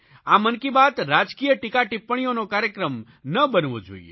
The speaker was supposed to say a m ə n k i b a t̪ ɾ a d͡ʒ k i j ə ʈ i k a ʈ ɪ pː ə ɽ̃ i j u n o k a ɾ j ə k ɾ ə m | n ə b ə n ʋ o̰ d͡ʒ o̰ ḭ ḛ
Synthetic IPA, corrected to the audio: a m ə n k i b a t̪ ɾ a d͡ʒ k i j ə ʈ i k a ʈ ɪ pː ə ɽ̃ i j o n o k a ɾ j ə k ɾ ə m | n ə b ə n ʋ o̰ d͡ʒ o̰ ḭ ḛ